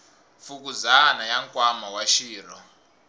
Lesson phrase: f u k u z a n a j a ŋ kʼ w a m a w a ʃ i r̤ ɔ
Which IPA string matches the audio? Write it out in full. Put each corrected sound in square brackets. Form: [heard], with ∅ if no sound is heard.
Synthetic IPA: f u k u z a n a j a ŋ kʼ w a m a w a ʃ [iː] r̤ ɔ

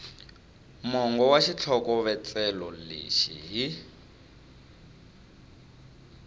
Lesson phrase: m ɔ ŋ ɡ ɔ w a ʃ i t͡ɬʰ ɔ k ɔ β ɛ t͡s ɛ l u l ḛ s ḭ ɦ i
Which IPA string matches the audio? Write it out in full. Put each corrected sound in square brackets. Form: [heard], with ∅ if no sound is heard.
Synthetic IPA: m ɔ ŋ ɡ ɔ w a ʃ i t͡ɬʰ ɔ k ɔ β ɛ t͡s ɛ l [ɔ] l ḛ [ʃ] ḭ ɦ i

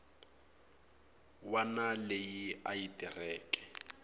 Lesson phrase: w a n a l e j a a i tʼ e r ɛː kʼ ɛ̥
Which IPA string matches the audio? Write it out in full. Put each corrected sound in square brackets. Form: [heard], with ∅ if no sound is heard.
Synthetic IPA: w a n a l e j [i] a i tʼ [i] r ɛː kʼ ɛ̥

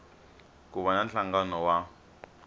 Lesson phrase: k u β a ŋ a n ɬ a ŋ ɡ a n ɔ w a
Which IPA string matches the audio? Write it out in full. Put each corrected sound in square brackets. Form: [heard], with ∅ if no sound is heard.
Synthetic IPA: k u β a [n] a n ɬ a ŋ ɡ a n ɔ w a

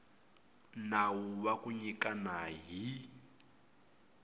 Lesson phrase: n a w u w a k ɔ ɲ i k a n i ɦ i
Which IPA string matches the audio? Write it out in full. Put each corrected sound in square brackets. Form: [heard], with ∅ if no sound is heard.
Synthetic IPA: n a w u [β] a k [u] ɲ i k a n [a] ɦ i

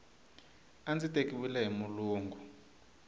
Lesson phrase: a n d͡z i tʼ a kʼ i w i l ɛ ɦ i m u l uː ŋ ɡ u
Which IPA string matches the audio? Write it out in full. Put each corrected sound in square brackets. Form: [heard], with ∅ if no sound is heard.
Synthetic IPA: a n d͡z i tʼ [e] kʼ i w i l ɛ ɦ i m u l uː ŋ ɡ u

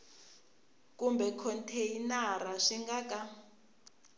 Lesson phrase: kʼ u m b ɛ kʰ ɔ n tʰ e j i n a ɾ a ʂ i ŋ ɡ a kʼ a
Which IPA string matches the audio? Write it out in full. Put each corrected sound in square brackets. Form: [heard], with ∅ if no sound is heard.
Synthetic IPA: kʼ u m b ɛ kʰ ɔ n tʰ e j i n a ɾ a ʂ i ŋ ɡ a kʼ a

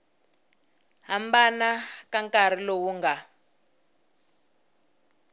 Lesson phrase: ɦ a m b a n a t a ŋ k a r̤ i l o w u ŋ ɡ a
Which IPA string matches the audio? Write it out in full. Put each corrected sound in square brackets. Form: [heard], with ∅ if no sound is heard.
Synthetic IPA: ɦ a m b a n a [k] a ŋ k a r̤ i l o w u ŋ ɡ a

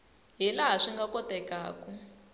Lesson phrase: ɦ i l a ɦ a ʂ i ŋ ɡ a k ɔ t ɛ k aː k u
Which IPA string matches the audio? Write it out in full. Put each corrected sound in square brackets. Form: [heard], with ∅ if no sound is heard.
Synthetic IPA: ɦ i l a ɦ a ʂ i ŋ ɡ a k ɔ t ɛ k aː k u

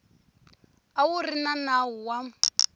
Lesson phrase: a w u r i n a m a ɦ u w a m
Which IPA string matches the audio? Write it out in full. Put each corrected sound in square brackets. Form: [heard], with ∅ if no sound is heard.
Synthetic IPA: a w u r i n a [n] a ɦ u w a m

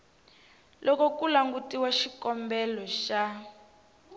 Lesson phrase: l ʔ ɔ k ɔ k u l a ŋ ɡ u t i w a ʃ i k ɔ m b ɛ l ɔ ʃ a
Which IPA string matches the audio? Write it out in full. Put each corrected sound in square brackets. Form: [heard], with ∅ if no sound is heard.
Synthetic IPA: l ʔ ɔ k ɔ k u l a ŋ ɡ u t i w a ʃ i k ɔ m b ɛ l ɔ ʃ a

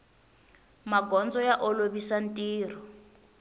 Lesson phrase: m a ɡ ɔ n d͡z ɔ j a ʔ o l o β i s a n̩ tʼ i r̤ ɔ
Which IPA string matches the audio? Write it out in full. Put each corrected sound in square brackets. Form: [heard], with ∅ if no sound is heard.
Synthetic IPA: m a ɡ ɔ n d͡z ɔ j a ʔ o l o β i s a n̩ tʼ [iː] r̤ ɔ

